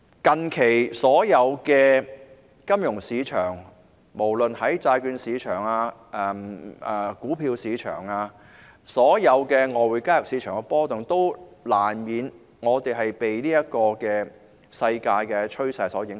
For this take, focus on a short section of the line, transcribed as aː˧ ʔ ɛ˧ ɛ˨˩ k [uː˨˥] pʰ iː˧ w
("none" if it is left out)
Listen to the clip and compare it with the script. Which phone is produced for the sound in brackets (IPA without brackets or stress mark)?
uː˨˥